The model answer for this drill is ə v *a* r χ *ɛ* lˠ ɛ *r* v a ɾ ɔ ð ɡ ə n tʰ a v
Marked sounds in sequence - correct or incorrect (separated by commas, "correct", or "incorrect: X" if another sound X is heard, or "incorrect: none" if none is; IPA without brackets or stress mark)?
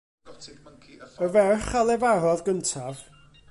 incorrect: ɛ, incorrect: a, incorrect: none